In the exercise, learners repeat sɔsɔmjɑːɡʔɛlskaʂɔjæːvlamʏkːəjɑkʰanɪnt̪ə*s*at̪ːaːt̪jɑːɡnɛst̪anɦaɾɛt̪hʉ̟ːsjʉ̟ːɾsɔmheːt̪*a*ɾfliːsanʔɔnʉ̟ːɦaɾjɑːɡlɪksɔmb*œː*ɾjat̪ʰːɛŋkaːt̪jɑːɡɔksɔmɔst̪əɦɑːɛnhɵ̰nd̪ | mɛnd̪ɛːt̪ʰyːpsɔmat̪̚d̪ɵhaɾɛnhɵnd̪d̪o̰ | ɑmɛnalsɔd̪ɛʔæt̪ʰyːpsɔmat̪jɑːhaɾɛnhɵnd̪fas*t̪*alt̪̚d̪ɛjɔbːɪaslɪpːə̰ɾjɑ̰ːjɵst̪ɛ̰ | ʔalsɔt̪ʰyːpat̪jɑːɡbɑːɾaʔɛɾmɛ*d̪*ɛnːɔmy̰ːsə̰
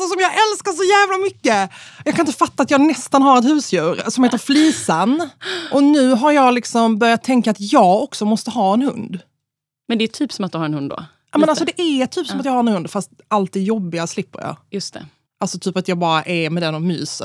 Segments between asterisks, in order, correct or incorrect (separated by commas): incorrect, incorrect, incorrect, correct, correct